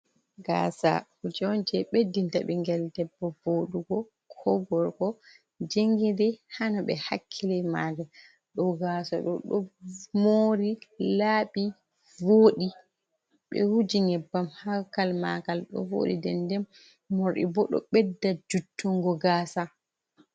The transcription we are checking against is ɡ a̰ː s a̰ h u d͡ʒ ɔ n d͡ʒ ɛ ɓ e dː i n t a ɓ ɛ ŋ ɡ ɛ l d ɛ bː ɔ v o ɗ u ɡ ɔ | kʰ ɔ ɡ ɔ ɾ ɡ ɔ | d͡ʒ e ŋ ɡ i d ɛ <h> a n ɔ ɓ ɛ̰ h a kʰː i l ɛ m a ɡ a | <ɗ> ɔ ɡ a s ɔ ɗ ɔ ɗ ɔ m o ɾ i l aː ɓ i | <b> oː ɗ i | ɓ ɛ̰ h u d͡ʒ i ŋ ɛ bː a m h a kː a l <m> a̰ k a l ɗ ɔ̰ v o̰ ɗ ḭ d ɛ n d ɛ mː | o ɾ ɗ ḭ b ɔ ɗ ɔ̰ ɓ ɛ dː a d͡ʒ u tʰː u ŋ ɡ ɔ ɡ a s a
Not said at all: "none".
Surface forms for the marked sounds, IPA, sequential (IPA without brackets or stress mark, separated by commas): h, ɗ, v, m